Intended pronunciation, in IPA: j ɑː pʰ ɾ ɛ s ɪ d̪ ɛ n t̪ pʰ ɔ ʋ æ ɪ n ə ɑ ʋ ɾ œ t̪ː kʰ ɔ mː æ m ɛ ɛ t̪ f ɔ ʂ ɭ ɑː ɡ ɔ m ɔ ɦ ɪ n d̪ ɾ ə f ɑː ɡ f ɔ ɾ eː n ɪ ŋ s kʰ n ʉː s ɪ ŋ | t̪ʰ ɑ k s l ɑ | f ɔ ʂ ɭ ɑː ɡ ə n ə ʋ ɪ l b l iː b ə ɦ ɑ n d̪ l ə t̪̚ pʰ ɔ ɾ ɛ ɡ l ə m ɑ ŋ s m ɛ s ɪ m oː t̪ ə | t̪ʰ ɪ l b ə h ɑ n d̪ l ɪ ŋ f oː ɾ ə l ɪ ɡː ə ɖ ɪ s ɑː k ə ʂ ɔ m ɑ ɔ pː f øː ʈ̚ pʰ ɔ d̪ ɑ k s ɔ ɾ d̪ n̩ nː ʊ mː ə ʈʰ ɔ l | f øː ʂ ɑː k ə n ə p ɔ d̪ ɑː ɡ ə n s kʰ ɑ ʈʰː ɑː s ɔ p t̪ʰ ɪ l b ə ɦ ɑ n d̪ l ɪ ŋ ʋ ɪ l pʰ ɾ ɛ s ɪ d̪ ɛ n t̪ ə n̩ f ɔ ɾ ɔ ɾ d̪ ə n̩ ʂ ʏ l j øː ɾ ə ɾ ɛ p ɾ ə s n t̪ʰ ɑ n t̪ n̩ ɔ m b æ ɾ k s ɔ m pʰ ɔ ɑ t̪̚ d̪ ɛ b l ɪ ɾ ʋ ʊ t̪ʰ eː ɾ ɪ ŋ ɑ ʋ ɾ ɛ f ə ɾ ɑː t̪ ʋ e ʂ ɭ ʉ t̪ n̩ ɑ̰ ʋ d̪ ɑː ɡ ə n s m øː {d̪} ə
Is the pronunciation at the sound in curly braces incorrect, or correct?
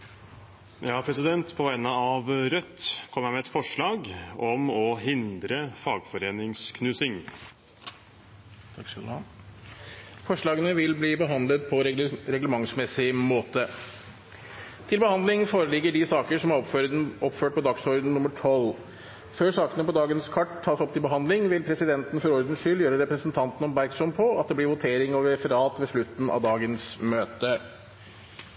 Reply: incorrect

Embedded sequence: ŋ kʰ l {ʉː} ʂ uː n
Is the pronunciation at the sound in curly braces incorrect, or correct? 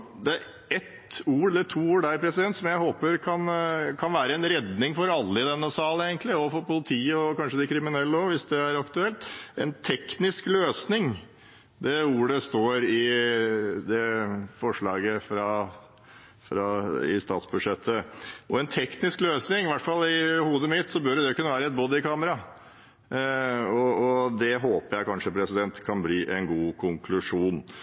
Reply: incorrect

